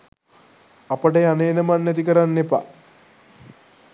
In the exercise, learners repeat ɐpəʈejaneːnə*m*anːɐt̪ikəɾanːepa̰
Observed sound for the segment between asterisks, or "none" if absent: m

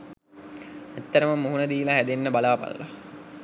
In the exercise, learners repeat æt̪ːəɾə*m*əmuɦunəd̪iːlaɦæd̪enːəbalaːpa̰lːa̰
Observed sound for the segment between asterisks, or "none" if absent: m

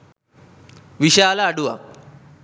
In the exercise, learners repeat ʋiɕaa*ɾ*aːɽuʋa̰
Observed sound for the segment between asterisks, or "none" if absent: l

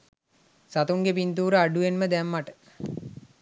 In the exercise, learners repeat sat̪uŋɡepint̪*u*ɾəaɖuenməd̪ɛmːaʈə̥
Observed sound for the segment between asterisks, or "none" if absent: uː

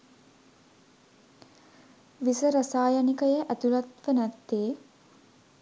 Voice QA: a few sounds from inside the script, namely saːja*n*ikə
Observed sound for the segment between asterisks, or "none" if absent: n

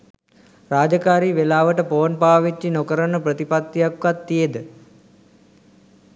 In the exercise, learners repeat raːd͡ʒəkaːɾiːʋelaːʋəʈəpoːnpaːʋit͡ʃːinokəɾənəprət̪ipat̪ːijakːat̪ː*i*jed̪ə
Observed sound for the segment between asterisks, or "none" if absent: i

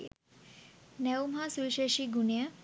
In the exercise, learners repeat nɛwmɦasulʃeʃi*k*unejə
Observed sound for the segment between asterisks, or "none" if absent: ɡ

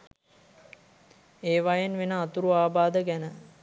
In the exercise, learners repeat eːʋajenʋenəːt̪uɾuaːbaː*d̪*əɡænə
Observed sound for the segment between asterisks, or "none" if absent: d̪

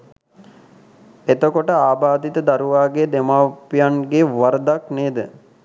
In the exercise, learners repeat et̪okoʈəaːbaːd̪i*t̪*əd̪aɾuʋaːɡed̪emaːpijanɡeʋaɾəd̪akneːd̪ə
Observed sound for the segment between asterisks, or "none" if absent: t̪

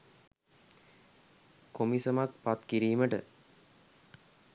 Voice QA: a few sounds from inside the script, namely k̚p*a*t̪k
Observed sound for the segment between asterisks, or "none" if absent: a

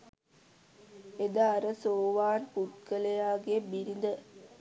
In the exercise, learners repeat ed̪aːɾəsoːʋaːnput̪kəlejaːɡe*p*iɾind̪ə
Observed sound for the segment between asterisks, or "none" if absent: b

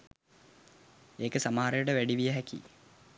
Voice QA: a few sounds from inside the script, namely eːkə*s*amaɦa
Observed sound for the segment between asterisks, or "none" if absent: s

